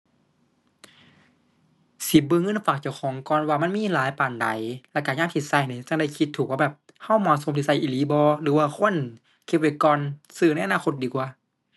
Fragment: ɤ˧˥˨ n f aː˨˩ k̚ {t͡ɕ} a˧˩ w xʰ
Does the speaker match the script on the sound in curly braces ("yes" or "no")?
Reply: yes